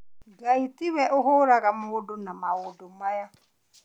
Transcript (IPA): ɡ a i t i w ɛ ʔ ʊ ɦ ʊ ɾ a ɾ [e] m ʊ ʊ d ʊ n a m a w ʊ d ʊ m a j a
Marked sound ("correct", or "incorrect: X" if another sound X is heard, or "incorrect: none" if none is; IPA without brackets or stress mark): incorrect: a